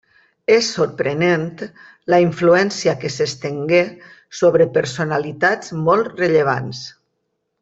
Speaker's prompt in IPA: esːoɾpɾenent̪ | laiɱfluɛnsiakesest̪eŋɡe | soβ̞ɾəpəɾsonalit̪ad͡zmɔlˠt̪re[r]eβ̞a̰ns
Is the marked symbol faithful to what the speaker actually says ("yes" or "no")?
no